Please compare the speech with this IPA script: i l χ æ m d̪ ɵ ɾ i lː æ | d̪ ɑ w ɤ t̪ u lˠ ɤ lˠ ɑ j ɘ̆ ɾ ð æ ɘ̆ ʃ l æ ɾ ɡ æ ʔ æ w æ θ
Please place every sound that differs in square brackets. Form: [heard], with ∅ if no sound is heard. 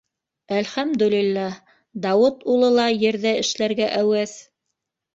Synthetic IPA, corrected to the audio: [æ] l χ æ m d̪ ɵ [l] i lː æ | d̪ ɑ w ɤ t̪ u lˠ ɤ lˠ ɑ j ɘ̆ ɾ ð æ ɘ̆ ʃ l æ ɾ ɡ æ ʔ æ w æ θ